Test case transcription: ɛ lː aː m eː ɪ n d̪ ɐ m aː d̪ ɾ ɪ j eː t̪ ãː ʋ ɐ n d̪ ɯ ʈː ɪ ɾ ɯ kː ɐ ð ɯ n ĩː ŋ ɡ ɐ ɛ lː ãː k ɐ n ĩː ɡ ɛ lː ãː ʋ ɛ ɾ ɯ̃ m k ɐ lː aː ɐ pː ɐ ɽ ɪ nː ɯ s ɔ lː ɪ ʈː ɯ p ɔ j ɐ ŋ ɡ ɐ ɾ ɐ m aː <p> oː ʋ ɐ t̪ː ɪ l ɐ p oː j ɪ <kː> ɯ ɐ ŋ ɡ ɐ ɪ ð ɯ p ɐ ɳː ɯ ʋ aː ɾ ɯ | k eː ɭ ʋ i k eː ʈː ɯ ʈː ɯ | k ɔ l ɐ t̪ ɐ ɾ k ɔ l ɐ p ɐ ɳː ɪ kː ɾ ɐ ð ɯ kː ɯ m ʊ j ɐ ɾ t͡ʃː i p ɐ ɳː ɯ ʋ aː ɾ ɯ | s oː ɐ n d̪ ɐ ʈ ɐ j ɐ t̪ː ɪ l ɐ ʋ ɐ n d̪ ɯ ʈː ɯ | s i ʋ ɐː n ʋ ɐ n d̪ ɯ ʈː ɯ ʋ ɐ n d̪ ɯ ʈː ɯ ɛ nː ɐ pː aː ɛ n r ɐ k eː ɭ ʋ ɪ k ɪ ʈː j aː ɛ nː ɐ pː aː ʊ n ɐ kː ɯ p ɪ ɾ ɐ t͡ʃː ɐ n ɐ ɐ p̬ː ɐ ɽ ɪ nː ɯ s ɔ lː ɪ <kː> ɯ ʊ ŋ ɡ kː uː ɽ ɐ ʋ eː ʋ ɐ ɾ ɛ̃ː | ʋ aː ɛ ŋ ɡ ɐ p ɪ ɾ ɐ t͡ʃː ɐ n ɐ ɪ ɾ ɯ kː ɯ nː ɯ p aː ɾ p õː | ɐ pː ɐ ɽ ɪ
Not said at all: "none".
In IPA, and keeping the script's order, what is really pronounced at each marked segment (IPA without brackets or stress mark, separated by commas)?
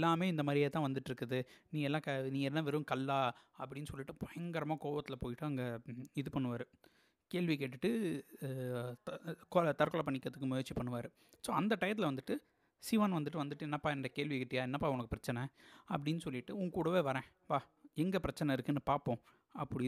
k, ʈː, ʈː